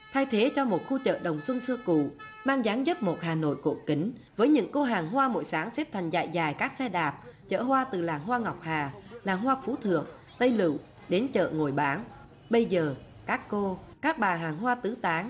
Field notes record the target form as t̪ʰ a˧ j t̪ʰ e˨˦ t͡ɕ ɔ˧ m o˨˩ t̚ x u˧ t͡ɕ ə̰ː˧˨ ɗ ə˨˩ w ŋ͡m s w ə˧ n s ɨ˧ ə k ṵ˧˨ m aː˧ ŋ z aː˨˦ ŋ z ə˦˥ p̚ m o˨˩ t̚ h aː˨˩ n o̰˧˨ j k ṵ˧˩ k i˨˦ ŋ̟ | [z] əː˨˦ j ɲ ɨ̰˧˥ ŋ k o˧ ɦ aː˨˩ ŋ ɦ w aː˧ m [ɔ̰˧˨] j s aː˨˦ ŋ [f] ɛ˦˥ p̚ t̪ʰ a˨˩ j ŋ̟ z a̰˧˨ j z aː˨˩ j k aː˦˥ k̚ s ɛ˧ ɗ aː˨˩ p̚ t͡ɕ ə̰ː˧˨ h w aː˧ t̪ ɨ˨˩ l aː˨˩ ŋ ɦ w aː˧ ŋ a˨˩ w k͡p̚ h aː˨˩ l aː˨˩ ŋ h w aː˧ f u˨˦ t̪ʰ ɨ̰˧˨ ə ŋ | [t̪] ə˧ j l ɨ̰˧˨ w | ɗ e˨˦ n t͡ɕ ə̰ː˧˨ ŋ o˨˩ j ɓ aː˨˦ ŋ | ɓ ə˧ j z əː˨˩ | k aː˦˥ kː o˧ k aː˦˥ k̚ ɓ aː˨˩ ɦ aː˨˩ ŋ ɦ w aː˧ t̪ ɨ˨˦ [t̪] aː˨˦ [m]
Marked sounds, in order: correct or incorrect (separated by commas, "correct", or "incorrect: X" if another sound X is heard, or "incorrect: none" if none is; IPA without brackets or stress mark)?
incorrect: v, incorrect: o̰˧˨, incorrect: s, correct, correct, incorrect: ŋ